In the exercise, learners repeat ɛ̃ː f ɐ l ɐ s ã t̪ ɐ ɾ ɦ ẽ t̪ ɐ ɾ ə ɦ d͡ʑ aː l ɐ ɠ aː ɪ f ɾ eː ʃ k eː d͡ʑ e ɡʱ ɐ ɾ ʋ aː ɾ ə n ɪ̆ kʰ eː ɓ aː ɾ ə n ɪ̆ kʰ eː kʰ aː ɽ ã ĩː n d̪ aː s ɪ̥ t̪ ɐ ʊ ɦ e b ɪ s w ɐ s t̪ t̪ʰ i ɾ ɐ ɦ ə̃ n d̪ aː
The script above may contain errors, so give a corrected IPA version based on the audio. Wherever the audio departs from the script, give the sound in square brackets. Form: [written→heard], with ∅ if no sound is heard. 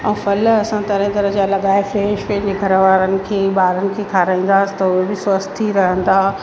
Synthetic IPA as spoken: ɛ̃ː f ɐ l ɐ s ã t̪ ɐ ɾ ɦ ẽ t̪ ɐ ɾ ə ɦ d͡ʑ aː l ɐ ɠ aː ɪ f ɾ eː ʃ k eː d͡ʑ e ɡʱ ɐ ɾ ʋ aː ɾ ə n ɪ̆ kʰ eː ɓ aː ɾ ə n ɪ̆ kʰ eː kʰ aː [ɽ→ɾ] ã ĩː n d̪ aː s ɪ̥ t̪ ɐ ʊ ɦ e b ɪ s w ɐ s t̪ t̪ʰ i ɾ ɐ ɦ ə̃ n d̪ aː